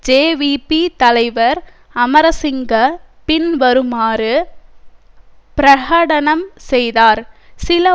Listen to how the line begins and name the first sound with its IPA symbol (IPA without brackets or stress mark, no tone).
d͡ʒ